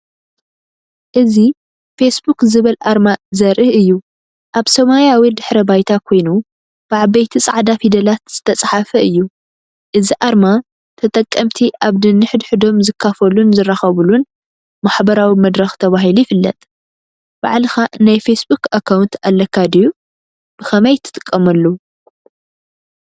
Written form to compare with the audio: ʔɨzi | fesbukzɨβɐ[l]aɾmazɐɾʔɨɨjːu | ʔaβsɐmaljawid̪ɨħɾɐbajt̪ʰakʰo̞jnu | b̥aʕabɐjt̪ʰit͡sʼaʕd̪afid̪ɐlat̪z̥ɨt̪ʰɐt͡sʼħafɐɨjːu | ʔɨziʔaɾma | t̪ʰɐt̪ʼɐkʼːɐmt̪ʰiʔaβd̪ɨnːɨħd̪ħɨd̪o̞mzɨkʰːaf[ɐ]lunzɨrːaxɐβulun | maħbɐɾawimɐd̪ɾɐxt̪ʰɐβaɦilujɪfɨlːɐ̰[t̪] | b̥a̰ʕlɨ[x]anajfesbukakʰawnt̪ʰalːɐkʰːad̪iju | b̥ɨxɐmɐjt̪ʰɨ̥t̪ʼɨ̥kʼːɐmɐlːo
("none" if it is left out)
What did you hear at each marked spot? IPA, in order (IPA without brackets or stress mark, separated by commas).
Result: l, ɐ, t̪ʼ, x